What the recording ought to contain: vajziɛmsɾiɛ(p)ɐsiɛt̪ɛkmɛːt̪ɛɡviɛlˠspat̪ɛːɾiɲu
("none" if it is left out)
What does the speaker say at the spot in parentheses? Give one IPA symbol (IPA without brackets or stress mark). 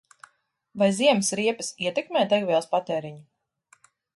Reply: p